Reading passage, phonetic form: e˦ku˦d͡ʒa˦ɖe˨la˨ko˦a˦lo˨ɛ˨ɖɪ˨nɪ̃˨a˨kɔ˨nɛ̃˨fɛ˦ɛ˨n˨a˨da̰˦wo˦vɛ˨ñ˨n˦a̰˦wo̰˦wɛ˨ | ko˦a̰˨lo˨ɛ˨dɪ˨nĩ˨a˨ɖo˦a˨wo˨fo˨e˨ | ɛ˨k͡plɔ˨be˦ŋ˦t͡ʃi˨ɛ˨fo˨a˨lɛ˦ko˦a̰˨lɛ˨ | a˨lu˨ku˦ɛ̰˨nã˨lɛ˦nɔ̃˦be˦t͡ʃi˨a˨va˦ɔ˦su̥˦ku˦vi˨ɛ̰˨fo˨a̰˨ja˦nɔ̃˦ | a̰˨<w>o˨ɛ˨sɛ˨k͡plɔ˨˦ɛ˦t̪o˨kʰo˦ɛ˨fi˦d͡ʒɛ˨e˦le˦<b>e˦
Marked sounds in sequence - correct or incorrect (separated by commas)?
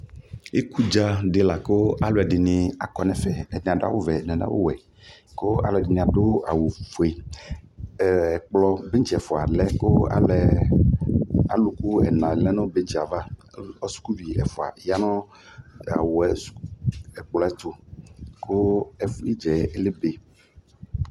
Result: correct, correct